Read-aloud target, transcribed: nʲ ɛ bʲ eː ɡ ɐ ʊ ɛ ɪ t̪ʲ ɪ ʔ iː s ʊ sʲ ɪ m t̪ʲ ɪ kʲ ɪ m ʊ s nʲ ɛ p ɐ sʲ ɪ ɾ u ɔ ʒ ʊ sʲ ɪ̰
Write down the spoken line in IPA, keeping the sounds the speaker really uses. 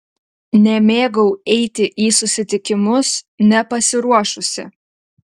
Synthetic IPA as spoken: nʲ ɛ mʲ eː ɡ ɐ ʊ ɛ ɪ t̪ʲ ɪ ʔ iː s ʊ sʲ ɪ t̪ʲ ɪ kʲ ɪ m ʊ s nʲ ɛ p ɐ sʲ ɪ ɾ u ɔ ʃ ʊ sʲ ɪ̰